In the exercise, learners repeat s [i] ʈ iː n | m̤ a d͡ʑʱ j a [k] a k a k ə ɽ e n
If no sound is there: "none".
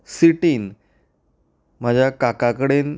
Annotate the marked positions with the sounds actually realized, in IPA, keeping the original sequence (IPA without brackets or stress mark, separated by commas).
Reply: i, k